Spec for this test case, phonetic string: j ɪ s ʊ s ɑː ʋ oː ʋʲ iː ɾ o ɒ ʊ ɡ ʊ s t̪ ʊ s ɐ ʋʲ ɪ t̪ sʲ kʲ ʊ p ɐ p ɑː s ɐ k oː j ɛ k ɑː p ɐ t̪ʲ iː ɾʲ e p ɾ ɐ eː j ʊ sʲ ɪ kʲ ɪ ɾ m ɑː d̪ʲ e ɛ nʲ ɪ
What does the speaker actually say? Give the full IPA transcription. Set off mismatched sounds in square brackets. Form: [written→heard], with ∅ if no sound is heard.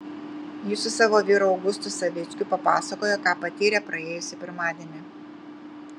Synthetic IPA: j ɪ s ʊ s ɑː ʋ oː ʋʲ iː ɾ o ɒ ʊ ɡ ʊ s t̪ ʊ s ɐ ʋʲ ɪ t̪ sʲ kʲ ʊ p ɐ p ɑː s ɐ k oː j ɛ k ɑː p ɐ t̪ʲ iː ɾʲ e p ɾ ɐ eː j ʊ sʲ ɪ [kʲ→pʲ] ɪ ɾ m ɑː d̪ʲ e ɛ nʲ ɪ